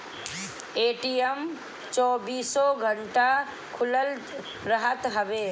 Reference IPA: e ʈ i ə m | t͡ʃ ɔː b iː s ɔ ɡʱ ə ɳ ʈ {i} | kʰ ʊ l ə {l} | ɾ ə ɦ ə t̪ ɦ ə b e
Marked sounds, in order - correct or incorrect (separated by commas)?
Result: incorrect, correct